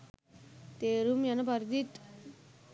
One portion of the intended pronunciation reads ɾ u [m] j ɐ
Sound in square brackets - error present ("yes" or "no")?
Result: no